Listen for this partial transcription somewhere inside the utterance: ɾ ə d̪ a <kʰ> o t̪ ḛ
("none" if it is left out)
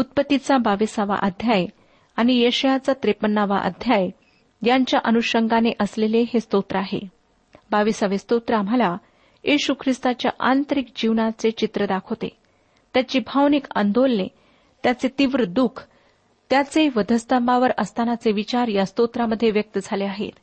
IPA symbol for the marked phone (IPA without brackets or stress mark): kʰ